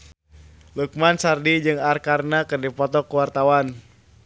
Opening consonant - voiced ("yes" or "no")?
yes